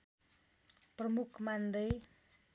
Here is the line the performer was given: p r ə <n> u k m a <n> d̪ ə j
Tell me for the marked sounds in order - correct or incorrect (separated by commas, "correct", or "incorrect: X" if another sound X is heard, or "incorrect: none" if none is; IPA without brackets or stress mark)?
incorrect: m, correct